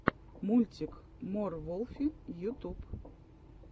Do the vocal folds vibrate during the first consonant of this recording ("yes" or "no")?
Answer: yes